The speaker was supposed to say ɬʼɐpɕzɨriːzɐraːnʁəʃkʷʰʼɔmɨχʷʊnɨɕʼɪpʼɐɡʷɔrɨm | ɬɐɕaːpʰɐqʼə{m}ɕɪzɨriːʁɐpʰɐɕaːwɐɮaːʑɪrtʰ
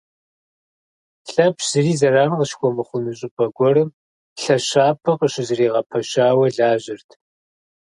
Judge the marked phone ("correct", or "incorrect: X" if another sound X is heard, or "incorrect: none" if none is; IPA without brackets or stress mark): incorrect: none